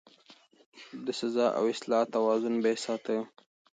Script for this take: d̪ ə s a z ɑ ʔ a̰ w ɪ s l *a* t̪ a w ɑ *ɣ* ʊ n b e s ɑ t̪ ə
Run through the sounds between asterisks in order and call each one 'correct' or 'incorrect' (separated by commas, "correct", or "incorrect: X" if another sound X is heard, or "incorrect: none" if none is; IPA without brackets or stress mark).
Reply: incorrect: ɑ, incorrect: z